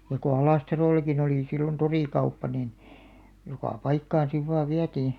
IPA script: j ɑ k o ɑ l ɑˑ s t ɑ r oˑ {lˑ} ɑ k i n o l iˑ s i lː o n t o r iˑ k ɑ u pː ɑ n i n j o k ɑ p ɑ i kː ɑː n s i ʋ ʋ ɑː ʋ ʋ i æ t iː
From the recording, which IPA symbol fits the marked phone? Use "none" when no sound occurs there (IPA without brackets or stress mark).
lˑ